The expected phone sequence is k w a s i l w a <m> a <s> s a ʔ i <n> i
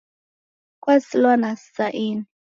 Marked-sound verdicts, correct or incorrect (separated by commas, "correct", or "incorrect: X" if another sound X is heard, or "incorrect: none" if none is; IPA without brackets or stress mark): incorrect: n, correct, correct